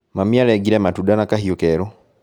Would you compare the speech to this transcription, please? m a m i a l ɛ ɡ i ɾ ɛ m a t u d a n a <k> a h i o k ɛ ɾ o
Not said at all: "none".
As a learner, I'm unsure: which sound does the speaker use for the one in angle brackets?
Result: k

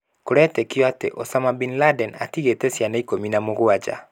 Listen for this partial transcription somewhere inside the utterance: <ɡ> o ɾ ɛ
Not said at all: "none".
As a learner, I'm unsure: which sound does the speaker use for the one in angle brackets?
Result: k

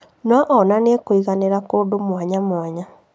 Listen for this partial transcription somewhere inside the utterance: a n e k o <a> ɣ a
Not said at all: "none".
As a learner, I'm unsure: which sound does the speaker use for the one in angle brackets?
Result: i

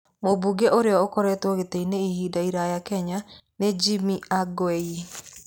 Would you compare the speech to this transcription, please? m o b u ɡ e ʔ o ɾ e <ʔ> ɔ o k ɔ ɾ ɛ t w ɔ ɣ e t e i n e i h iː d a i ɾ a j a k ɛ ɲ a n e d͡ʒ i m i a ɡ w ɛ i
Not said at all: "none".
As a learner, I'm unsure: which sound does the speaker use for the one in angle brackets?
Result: none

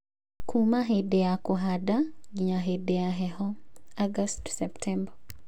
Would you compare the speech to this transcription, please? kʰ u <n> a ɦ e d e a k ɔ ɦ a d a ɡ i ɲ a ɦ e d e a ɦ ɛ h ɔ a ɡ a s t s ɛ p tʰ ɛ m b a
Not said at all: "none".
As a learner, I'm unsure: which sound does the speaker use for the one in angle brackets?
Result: m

